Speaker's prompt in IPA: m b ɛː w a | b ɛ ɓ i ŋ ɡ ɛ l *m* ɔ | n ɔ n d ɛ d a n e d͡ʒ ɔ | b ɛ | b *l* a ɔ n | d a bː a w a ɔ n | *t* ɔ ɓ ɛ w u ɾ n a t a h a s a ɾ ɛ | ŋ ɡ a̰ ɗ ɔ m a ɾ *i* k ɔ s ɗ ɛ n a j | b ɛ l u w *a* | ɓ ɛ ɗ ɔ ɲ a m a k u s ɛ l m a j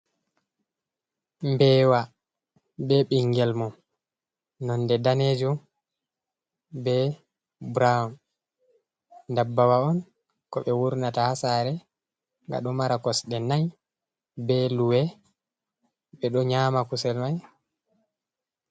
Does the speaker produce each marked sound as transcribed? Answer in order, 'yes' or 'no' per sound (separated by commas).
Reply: yes, no, no, no, no